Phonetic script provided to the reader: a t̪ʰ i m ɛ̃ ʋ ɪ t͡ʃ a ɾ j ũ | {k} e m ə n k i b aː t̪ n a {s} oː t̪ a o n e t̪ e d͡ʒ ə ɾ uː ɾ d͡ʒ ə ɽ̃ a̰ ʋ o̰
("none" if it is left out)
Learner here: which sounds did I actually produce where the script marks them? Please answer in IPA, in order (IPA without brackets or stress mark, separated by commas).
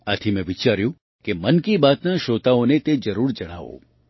k, ʃ